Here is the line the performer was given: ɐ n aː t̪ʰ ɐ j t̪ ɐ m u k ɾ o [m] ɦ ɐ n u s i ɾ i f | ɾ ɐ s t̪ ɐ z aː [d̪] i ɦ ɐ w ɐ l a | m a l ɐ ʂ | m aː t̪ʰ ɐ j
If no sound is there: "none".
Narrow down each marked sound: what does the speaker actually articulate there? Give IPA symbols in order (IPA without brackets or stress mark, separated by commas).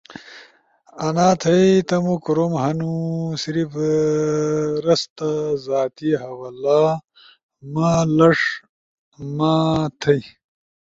m, t̪